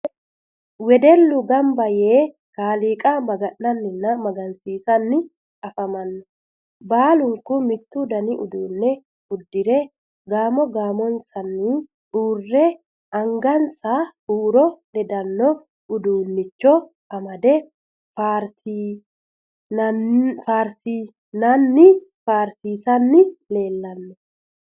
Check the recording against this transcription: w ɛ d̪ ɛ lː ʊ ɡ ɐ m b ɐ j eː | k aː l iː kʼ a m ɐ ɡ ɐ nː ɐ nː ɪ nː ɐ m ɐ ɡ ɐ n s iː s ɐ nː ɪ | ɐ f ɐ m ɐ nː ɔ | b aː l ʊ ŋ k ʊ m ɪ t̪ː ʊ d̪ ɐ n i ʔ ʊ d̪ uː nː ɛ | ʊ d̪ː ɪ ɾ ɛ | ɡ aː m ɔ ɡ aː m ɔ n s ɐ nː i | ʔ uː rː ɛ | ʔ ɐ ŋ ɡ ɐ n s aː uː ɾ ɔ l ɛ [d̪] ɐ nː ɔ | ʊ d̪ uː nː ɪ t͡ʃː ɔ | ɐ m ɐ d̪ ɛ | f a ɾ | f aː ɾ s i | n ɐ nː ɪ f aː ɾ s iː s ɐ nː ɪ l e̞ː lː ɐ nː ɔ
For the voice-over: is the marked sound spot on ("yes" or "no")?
yes